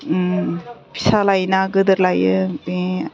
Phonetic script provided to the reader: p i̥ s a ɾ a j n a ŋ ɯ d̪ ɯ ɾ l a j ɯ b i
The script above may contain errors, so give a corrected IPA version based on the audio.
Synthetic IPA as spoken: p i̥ s a l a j n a ɡ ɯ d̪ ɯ ɾ l a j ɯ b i

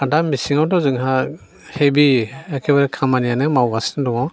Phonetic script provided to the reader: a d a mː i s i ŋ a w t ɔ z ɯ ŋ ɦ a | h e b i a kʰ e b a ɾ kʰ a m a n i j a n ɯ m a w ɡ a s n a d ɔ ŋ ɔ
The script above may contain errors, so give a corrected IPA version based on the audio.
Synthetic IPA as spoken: a d a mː i s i ŋ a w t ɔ z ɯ ŋ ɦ a | h e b i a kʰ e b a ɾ kʰ a m a n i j a n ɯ m a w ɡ a s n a d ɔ ŋ ɔ

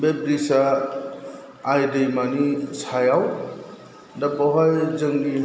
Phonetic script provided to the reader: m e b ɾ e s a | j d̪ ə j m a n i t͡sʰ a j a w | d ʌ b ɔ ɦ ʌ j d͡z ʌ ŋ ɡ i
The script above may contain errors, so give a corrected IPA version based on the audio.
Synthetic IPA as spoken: b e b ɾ i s a | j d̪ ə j m a n i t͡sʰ a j a w | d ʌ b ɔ ɦ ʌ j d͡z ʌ ŋ ɡ i

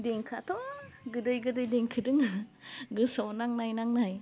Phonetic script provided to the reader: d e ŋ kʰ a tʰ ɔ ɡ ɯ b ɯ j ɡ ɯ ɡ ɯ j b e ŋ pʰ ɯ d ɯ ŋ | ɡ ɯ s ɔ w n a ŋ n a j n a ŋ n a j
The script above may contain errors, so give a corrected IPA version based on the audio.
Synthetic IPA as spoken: d e ŋ kʰ a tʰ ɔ ɡ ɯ d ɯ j ɡ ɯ d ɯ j d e ŋ kʰ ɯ d ɯ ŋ | ɡ ɯ s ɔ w n a ŋ n a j n a ŋ n a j

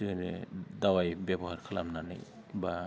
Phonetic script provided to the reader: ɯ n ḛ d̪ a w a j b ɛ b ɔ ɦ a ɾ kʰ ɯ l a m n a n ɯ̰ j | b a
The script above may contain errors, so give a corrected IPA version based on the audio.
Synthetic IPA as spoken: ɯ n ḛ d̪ a w a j b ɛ b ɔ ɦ a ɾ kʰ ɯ l a m n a n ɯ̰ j | b a

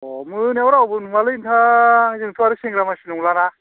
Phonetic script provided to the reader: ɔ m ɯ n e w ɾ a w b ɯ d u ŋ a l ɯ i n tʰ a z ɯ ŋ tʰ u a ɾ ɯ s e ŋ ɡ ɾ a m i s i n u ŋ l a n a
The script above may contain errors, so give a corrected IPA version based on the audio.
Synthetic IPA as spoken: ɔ m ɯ n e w ɾ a w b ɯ n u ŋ a l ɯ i n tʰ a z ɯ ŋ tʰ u a ɾ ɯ s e ŋ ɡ ɾ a m a s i n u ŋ l a n a

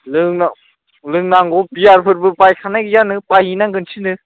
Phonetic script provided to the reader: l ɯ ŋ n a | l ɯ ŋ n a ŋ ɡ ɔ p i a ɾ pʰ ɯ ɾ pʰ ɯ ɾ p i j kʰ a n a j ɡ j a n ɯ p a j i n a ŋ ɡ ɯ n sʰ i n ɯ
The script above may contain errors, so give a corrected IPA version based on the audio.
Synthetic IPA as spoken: l ɯ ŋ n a | l ɯ ŋ n a ŋ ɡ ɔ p i a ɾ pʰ ɯ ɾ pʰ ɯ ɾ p a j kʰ a n a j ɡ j a n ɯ p a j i n a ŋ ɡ ɯ n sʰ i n ɯ

